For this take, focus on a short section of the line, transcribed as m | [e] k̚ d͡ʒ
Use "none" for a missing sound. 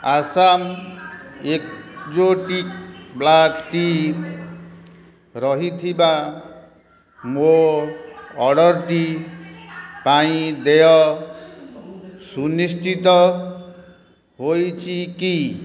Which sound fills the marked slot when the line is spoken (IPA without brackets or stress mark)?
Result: e